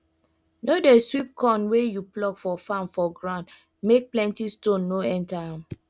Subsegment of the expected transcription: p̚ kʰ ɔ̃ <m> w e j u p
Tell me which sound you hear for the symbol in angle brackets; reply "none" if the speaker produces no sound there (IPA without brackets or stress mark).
n